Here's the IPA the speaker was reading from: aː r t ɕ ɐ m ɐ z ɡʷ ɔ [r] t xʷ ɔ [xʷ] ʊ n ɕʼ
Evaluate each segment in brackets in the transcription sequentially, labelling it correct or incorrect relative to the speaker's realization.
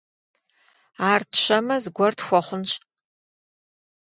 correct, incorrect

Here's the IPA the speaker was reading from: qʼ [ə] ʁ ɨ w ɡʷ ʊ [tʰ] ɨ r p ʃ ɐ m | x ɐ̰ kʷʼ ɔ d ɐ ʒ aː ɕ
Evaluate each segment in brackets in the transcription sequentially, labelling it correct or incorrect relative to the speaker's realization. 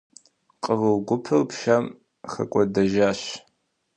correct, incorrect

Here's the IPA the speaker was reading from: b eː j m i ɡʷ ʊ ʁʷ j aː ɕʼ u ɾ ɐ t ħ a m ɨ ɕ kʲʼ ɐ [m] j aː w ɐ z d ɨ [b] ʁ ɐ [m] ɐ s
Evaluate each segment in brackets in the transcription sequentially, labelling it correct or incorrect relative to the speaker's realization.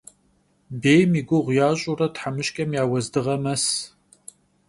correct, incorrect, correct

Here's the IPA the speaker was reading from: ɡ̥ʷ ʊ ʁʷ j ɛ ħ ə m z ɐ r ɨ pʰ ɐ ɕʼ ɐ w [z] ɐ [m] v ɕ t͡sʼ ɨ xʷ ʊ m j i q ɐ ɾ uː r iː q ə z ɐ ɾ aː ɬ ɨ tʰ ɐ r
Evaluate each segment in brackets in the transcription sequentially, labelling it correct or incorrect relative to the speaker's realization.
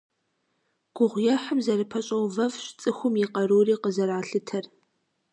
incorrect, incorrect

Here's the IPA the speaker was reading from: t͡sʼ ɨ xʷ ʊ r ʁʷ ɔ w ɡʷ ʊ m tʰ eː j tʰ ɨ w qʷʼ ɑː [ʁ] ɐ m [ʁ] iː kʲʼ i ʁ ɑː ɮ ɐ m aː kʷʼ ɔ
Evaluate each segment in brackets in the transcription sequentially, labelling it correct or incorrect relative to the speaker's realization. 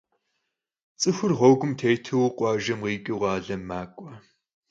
incorrect, correct

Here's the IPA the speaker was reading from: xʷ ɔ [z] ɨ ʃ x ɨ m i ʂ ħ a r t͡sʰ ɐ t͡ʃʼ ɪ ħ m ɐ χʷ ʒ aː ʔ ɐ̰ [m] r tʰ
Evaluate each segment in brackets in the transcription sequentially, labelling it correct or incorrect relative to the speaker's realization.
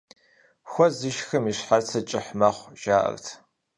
correct, incorrect

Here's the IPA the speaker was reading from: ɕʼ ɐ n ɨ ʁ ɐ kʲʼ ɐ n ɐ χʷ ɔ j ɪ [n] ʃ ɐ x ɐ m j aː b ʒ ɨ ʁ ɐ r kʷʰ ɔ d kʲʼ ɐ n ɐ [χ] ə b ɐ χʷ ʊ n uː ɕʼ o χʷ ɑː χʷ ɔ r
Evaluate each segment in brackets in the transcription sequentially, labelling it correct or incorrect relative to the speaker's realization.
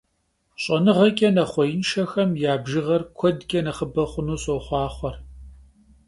correct, correct

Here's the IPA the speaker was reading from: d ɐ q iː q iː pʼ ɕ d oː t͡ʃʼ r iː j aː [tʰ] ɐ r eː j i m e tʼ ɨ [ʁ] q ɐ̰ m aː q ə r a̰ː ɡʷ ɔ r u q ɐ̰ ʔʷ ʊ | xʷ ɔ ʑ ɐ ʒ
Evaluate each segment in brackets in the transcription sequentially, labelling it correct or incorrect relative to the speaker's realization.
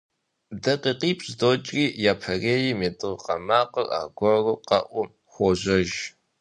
incorrect, correct

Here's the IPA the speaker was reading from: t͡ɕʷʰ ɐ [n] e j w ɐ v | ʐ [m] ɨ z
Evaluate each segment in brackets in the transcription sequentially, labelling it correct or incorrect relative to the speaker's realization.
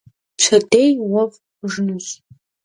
incorrect, incorrect

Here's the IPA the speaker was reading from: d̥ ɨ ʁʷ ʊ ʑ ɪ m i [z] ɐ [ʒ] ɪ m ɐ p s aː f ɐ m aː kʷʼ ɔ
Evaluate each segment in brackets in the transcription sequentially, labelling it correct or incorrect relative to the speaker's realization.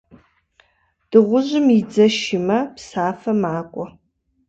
incorrect, incorrect

